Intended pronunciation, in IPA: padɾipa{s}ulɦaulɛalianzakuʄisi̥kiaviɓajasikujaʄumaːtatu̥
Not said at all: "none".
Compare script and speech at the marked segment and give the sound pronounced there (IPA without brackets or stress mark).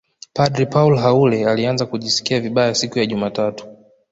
none